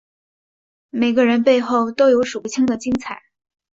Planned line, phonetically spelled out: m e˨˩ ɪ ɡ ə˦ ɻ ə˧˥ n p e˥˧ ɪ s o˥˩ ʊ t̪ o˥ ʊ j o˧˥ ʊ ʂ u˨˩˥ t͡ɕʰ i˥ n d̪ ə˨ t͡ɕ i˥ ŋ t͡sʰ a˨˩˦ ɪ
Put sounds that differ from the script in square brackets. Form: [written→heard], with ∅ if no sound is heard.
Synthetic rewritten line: m e˨˩ ɪ ɡ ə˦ ɻ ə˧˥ n p e˥˧ ɪ [s→x] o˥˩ ʊ t̪ o˥ ʊ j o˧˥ ʊ ʂ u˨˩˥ t͡ɕʰ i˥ [n→ŋ] d̪ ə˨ t͡ɕ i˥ ŋ t͡sʰ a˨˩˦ ɪ